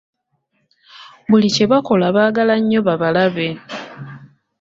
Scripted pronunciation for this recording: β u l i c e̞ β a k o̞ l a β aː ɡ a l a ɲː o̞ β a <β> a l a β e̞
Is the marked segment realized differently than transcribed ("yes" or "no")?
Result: no